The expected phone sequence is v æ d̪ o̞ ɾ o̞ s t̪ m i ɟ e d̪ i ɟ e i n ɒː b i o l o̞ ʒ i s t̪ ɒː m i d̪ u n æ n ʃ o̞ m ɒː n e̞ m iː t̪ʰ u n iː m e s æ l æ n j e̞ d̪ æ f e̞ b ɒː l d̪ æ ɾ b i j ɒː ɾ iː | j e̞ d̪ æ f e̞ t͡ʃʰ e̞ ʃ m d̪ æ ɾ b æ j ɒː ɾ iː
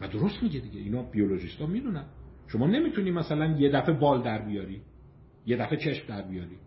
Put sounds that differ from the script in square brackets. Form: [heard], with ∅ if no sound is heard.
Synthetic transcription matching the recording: v æ d̪ o̞ ɾ o̞ s t̪ m i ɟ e d̪ i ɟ e i n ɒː b i o l o̞ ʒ i s t̪ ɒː m i d̪ u n æ n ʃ o̞ m ɒː n e̞ m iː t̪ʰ u n iː m [æ] s æ l æ n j e̞ d̪ æ f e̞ b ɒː l d̪ æ ɾ b i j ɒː ɾ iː | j e̞ d̪ æ f e̞ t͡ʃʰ e̞ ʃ m d̪ æ ɾ b [i] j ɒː ɾ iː